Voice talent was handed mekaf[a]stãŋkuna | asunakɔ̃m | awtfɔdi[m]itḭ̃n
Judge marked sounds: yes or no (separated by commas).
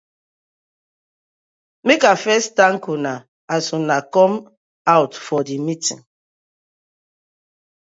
no, yes